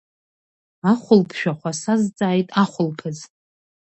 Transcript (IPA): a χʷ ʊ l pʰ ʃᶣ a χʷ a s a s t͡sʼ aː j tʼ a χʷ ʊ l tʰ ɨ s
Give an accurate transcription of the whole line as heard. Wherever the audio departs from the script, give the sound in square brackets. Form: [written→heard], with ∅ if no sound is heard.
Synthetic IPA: a χʷ ʊ l pʰ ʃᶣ a χʷ a s a [s→z] t͡sʼ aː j tʼ a χʷ ʊ l [tʰ→pʰ] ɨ [s→z]